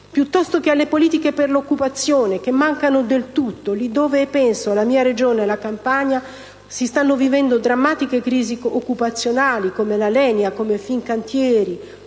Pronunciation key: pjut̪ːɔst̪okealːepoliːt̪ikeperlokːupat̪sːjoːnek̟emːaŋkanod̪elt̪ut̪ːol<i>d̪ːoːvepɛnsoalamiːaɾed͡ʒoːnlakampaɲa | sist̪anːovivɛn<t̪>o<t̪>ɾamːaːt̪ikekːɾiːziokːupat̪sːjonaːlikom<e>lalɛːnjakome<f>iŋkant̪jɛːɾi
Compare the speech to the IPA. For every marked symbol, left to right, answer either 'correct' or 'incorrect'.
correct, incorrect: d̪, incorrect: d̪, correct, correct

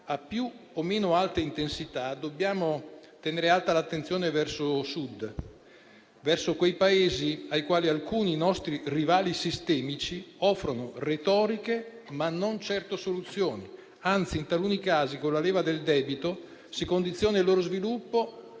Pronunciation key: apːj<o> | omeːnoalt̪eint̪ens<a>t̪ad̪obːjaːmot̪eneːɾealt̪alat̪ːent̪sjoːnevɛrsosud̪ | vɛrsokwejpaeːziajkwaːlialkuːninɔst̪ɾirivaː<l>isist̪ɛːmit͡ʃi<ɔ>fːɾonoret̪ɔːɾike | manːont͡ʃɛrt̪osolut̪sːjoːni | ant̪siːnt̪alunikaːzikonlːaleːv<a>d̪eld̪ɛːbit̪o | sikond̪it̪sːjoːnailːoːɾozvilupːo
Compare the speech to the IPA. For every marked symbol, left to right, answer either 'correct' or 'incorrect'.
incorrect: u, incorrect: i, correct, correct, correct

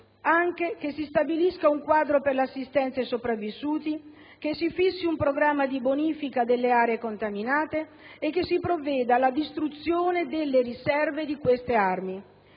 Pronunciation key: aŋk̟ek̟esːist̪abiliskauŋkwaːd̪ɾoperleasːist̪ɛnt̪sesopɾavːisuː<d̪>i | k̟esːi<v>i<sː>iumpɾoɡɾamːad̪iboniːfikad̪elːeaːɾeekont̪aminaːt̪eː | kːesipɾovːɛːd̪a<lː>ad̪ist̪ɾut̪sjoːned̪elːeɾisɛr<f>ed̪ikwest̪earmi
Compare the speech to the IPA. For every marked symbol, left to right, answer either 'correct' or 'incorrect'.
incorrect: t̪, incorrect: f, correct, incorrect: l, incorrect: v

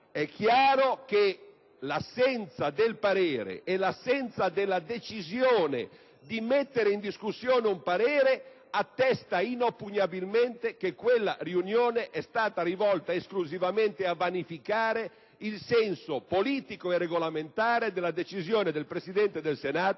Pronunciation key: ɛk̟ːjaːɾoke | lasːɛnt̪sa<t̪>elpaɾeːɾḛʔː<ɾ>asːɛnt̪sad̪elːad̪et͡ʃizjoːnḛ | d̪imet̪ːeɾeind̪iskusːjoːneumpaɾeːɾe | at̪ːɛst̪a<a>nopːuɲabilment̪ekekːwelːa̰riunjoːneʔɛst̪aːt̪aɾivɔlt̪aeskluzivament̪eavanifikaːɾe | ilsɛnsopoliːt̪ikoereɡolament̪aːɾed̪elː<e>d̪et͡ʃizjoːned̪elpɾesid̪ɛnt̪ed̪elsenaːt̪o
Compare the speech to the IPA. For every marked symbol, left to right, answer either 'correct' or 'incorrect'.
incorrect: d̪, incorrect: l, incorrect: i, incorrect: a

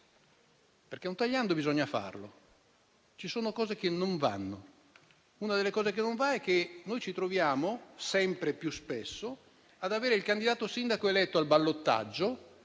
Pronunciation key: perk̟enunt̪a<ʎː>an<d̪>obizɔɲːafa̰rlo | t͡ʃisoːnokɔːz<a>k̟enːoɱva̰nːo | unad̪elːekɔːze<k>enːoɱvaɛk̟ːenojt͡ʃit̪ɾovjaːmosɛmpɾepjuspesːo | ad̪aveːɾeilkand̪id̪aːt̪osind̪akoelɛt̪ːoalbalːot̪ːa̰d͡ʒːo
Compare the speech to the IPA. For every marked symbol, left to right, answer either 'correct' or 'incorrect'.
correct, correct, incorrect: e, correct

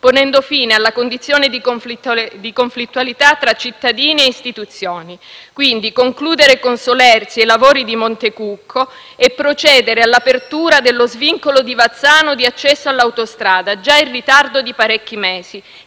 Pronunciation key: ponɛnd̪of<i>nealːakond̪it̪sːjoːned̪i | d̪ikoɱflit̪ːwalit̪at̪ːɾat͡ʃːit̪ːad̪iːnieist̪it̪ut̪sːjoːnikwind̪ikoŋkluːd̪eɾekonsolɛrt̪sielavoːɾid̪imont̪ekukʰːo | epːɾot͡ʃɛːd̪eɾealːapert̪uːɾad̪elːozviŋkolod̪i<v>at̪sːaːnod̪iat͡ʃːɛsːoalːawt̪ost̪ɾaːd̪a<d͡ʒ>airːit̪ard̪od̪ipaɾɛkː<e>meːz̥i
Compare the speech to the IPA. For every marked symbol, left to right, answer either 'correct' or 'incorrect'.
incorrect: iː, correct, correct, incorrect: i

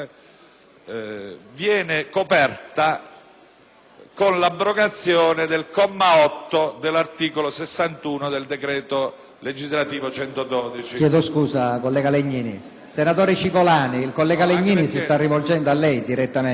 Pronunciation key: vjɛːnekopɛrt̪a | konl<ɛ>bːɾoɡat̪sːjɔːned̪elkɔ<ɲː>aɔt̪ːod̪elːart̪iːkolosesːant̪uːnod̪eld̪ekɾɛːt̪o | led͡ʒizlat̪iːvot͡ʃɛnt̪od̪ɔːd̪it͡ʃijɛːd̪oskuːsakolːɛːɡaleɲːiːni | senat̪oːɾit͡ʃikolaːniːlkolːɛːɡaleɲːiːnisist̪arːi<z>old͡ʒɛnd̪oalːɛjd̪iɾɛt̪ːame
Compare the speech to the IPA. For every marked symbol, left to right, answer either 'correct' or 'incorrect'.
incorrect: a, incorrect: mː, incorrect: v

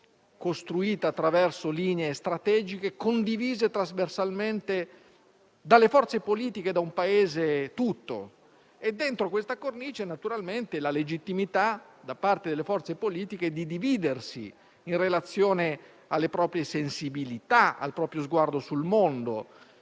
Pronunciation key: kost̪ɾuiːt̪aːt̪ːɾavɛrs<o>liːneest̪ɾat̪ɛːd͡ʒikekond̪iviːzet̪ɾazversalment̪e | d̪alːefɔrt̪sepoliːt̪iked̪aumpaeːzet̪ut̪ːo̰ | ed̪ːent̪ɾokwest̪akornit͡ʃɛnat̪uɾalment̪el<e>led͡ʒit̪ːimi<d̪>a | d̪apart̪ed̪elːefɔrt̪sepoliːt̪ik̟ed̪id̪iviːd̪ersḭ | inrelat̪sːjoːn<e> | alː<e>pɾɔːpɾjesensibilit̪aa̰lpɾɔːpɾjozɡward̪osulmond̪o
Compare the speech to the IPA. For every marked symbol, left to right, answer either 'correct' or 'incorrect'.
correct, incorrect: a, incorrect: t̪, correct, correct

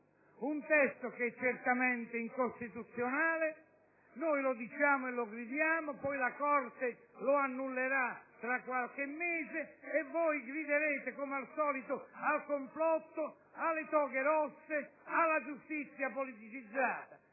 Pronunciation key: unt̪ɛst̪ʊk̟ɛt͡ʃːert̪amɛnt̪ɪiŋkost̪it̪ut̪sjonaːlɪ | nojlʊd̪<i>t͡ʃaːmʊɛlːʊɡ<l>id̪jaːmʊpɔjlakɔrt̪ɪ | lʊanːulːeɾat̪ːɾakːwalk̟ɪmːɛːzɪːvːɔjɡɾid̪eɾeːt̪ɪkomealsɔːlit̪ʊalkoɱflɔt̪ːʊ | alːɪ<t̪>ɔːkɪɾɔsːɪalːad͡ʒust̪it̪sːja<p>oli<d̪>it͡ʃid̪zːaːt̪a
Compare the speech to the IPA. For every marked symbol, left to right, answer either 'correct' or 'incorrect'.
correct, incorrect: ɾ, correct, correct, incorrect: t̪

